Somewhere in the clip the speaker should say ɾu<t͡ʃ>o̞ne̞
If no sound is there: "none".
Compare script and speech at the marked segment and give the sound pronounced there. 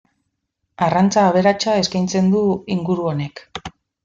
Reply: none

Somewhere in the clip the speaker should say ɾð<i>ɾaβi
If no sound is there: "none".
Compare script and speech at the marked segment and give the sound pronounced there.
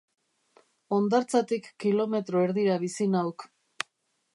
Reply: i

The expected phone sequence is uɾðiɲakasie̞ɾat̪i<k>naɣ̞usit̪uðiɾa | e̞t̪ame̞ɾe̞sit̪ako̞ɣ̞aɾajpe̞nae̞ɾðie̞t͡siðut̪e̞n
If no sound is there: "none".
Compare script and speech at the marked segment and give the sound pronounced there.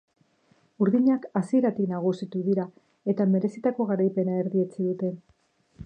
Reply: k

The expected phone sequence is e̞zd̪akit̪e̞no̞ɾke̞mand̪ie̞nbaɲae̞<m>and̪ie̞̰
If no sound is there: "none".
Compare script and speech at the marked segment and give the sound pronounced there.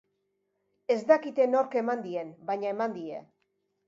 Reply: m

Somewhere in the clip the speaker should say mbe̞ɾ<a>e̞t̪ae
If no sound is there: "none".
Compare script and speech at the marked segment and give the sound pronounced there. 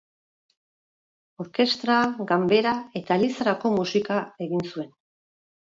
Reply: a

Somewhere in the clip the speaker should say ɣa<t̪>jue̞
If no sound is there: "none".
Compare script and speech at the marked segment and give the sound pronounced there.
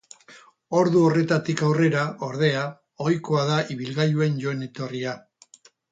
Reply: none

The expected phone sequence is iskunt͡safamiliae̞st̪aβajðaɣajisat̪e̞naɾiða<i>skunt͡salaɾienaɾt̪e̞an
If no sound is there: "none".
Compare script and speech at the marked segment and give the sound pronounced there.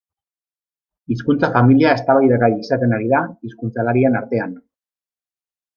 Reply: i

